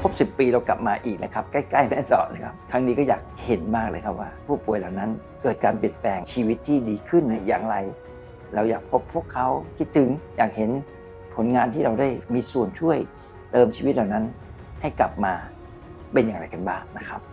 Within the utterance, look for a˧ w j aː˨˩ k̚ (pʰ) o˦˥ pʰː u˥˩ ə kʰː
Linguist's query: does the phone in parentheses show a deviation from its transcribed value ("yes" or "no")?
no